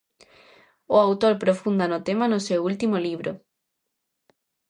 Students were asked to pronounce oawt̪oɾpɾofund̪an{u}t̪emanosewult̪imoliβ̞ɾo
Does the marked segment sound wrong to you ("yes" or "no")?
yes